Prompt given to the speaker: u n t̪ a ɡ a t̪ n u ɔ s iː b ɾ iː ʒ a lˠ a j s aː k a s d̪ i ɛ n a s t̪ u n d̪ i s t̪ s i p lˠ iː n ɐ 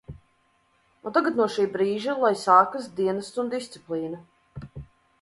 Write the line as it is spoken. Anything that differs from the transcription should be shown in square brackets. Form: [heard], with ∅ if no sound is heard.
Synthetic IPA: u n t̪ a ɡ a t̪ n u ɔ [ʃ] iː b ɾ iː ʒ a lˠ a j s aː k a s d̪ i ɛ n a s t̪ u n d̪ i s t̪ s i p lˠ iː n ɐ